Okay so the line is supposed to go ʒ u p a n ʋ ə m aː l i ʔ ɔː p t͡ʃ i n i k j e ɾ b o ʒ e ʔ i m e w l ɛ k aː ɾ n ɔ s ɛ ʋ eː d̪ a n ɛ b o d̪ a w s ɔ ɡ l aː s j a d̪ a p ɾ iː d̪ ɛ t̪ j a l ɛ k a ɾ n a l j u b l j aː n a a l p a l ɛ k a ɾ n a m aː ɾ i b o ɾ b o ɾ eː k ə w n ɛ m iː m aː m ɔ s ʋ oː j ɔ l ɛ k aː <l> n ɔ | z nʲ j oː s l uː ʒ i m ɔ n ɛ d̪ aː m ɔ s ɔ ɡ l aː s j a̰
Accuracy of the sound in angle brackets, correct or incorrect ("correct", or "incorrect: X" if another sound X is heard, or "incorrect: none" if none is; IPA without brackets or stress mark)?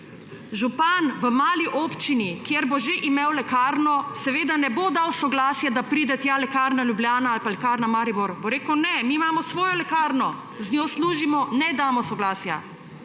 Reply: incorrect: ɾ